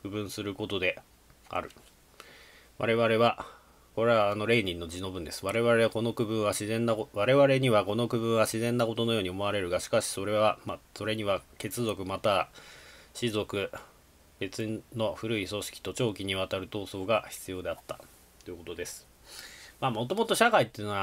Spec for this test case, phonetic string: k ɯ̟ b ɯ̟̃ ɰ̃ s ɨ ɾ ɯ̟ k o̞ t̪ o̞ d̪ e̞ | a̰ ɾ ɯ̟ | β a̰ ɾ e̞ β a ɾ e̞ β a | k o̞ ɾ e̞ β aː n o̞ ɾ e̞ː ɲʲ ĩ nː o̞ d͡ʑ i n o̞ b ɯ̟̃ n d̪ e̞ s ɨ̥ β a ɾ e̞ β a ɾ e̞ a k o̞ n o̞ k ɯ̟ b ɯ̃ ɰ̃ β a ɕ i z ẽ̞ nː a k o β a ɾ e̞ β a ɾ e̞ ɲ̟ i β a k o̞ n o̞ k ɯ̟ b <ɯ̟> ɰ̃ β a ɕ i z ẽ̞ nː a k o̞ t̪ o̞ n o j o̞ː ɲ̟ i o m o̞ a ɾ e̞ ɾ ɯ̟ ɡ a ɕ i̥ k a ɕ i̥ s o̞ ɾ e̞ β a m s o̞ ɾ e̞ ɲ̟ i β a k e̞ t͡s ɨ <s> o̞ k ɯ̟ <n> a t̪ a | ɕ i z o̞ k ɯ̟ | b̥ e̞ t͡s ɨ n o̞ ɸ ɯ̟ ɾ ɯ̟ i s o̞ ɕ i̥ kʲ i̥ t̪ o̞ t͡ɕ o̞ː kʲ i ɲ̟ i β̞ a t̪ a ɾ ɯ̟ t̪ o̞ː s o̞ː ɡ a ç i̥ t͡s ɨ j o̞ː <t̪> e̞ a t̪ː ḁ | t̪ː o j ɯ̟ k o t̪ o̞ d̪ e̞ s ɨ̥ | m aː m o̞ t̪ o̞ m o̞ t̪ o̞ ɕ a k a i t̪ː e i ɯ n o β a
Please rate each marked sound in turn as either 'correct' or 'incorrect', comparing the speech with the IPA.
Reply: incorrect: ɯ̟̃, incorrect: z, incorrect: m, incorrect: d̪

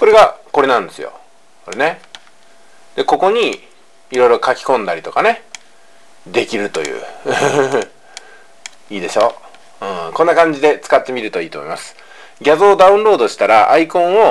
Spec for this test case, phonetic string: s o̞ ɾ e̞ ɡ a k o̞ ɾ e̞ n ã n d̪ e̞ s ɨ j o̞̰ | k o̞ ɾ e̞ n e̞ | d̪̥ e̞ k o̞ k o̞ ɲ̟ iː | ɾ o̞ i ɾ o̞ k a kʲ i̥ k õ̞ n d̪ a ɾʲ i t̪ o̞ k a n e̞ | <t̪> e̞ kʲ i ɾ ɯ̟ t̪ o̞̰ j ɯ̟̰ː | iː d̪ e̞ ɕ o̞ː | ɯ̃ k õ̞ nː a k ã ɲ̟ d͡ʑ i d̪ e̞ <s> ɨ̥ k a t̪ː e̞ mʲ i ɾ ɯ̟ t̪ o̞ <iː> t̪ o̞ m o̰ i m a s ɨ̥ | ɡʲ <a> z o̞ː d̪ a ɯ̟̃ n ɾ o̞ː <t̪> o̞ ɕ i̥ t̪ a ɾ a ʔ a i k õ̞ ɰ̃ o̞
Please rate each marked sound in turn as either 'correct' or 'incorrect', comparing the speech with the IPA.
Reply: incorrect: d̪, incorrect: t͡s, correct, correct, incorrect: d̪

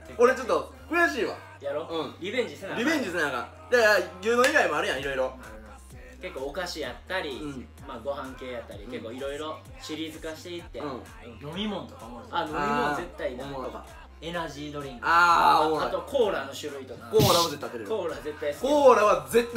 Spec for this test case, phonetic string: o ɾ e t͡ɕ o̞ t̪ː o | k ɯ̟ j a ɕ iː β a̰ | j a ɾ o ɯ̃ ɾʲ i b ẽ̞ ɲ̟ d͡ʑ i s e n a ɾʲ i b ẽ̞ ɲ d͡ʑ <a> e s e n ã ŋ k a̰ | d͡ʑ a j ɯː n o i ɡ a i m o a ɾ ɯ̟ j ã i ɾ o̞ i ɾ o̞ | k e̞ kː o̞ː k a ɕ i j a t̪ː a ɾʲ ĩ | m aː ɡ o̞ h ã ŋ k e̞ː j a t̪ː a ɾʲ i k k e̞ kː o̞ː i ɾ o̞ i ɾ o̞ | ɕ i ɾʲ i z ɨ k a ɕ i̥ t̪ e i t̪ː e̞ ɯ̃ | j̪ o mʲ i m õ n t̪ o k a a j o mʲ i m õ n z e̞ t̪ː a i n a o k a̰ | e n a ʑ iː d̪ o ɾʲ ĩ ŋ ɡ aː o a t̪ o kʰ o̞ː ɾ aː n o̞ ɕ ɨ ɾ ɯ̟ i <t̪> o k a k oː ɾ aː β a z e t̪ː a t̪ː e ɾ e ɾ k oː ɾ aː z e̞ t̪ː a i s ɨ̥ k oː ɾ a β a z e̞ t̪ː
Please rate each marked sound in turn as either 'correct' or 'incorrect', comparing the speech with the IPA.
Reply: incorrect: i, correct

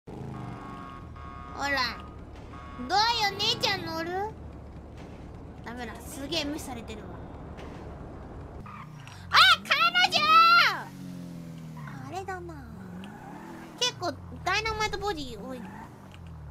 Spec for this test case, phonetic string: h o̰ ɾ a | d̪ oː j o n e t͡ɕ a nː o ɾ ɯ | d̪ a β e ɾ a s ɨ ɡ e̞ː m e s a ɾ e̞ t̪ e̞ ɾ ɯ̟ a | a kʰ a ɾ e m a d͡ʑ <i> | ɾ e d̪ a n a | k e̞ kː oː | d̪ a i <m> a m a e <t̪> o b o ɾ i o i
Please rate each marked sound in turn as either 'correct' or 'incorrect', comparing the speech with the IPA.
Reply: incorrect: a, incorrect: n, correct

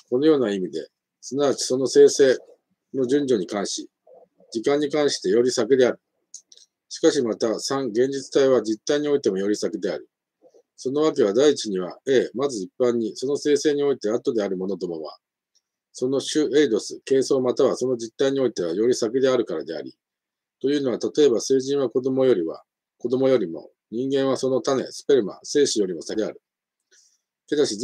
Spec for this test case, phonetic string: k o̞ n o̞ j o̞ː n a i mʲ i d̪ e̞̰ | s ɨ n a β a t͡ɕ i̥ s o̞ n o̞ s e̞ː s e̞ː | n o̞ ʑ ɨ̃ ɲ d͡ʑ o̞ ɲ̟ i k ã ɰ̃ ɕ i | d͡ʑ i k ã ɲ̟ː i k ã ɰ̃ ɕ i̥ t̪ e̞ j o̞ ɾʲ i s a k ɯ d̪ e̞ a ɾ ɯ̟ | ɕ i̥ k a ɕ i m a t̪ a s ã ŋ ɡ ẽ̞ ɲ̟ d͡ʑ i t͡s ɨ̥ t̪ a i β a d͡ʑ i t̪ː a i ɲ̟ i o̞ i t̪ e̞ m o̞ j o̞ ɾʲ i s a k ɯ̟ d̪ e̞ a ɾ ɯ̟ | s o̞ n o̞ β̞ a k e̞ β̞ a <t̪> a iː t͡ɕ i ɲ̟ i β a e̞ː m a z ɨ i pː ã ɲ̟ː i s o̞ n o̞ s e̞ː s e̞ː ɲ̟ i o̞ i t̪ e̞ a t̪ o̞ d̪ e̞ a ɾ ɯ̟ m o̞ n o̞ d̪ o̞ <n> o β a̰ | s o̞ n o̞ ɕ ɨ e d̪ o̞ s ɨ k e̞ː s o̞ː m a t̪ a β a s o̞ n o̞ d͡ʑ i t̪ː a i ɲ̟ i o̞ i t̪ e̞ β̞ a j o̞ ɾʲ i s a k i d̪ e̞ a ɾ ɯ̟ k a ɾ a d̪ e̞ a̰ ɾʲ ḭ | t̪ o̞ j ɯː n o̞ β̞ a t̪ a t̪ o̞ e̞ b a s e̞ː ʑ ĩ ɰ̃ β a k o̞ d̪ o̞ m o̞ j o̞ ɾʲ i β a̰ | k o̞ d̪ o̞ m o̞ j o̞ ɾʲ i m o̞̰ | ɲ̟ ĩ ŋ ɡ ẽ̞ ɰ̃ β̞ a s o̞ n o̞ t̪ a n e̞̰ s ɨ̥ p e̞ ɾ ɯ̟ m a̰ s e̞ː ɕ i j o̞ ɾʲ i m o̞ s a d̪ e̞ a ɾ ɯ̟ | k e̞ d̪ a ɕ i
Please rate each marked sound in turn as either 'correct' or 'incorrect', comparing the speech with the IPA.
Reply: incorrect: d̪, incorrect: m

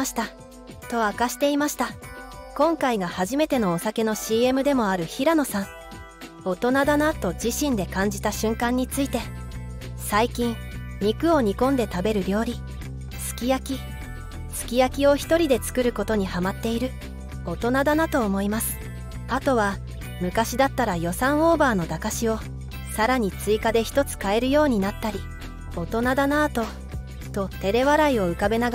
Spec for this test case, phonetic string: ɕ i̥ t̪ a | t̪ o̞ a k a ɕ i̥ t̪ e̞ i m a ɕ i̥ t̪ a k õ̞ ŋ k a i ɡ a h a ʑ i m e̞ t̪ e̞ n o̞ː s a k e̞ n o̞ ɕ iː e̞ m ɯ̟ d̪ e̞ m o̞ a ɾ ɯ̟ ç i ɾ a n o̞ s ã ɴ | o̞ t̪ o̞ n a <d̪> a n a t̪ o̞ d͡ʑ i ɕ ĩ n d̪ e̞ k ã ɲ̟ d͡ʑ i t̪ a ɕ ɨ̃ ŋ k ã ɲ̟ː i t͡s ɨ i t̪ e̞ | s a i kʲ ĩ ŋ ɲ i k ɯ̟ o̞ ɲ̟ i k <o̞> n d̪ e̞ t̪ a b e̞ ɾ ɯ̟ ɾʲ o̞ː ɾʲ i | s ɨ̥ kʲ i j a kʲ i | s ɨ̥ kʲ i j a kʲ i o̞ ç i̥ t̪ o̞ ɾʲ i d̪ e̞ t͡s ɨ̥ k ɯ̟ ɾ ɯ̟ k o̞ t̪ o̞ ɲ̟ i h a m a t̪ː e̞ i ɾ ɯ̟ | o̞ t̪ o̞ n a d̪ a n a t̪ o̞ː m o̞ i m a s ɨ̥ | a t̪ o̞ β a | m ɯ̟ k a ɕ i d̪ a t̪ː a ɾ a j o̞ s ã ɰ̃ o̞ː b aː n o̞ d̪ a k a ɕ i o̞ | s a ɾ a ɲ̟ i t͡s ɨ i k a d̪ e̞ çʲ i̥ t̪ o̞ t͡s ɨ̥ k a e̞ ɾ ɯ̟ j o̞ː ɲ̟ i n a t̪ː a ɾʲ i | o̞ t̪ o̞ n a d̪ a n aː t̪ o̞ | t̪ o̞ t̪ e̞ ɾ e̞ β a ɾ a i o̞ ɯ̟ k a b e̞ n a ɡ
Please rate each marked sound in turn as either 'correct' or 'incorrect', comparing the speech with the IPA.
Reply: correct, incorrect: õ̞

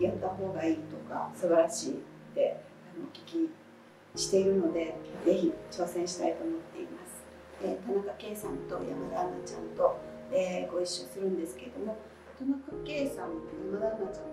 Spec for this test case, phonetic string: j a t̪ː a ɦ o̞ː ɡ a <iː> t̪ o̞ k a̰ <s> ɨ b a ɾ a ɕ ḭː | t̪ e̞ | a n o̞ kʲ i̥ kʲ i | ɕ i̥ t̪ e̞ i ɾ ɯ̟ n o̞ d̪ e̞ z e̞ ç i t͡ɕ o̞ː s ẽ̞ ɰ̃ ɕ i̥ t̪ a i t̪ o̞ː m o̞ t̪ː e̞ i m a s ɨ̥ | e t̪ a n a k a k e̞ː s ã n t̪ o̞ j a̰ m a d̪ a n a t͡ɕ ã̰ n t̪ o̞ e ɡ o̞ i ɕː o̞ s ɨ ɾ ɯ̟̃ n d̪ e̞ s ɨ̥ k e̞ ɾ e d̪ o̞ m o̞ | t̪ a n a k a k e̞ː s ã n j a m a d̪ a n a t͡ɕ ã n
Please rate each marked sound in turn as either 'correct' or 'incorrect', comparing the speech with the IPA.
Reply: correct, correct

